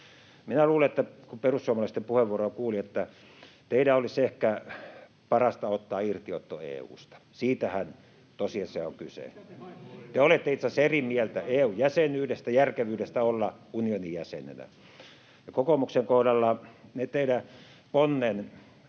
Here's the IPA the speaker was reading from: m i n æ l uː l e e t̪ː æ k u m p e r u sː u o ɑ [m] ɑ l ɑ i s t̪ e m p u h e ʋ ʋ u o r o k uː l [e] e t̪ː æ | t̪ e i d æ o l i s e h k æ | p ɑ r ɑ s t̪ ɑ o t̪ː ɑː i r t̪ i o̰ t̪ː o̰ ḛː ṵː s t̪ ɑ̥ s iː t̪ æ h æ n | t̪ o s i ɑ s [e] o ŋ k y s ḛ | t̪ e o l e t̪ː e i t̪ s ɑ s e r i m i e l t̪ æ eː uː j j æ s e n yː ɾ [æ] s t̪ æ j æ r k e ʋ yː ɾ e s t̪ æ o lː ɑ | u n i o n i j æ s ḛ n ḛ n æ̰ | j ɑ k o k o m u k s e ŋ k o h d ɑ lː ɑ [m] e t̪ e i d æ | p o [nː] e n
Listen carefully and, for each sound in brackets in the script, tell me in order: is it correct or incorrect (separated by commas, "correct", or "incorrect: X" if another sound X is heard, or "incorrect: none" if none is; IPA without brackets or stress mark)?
correct, incorrect: i, correct, incorrect: e, incorrect: n, correct